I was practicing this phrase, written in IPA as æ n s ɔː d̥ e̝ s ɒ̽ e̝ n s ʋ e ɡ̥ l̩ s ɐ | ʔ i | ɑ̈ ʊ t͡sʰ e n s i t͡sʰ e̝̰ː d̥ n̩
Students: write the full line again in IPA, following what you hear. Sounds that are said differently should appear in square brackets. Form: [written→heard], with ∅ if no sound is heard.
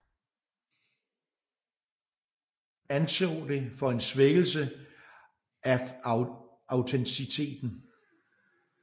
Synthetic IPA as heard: æ n s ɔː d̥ e̝ [s→f] ɒ̽ e̝ n s ʋ e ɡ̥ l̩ s [ɐ→ə] | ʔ [i→æ] | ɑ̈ ʊ t͡sʰ e n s i t͡sʰ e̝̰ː d̥ n̩